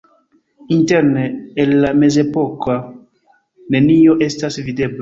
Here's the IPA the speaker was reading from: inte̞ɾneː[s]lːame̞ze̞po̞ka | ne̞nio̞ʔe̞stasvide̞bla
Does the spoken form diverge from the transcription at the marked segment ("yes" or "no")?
yes